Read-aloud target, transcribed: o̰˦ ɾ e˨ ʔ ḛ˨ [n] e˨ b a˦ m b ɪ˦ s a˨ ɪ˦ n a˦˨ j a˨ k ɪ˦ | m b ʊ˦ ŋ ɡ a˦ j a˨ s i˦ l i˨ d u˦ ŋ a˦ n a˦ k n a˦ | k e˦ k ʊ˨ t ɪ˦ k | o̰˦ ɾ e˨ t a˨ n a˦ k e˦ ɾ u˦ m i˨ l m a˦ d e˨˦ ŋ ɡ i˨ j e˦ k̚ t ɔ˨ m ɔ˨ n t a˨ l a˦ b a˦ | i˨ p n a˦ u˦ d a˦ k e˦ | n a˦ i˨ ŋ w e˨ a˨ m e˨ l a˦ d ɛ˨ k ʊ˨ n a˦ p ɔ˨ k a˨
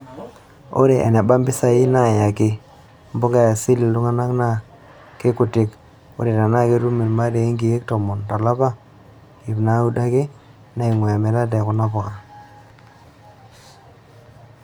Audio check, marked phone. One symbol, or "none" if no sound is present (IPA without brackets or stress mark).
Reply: n